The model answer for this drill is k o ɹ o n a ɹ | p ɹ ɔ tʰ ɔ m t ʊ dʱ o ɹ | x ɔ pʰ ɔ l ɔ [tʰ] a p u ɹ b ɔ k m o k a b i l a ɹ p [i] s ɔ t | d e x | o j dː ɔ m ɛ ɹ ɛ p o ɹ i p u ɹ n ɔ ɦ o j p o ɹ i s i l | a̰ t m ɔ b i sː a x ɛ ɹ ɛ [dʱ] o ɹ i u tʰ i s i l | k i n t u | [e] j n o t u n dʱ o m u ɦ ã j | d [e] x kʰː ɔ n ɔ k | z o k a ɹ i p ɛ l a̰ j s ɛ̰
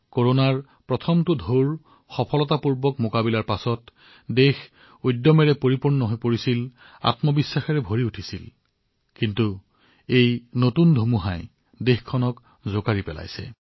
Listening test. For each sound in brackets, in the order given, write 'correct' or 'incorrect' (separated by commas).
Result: incorrect, incorrect, incorrect, correct, correct